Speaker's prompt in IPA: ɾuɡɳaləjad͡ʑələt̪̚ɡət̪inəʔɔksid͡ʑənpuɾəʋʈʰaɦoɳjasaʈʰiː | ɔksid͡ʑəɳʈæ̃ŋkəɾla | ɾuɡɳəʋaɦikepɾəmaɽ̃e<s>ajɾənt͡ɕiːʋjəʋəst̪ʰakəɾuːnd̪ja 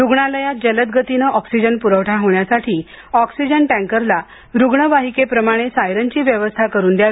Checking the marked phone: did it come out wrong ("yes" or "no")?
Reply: no